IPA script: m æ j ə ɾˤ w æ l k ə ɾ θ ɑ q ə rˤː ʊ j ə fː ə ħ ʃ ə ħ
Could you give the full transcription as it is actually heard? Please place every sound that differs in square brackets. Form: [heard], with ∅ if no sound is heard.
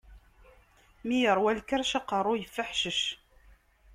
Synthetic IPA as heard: m [i] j ə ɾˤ w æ l k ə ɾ [ʃ] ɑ q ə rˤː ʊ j ə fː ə ħ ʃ ə [ʃ]